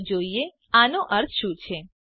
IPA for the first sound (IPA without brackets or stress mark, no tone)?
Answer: d͡ʒ